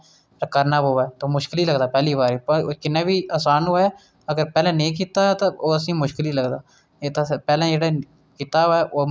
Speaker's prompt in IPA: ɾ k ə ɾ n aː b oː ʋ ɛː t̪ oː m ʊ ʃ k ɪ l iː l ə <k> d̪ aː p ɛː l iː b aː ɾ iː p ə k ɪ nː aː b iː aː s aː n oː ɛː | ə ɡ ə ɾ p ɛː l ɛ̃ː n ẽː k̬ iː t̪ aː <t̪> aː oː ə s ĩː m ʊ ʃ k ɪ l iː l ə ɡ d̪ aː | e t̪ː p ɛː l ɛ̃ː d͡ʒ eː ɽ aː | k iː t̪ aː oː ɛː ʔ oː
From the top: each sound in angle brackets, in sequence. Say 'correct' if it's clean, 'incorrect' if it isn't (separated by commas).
incorrect, correct